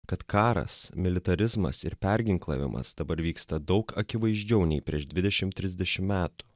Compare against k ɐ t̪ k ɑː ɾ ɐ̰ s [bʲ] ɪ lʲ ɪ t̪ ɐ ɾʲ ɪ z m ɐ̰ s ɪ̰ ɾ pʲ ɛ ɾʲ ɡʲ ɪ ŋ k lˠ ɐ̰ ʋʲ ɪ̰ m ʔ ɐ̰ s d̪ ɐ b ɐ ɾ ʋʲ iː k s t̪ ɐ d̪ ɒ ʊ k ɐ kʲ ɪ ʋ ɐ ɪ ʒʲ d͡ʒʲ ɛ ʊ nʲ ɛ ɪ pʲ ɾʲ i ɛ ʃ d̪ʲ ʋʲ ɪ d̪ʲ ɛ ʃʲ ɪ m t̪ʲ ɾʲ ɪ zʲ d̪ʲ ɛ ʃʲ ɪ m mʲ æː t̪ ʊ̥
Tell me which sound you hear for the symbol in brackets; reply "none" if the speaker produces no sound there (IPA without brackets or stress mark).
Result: mʲ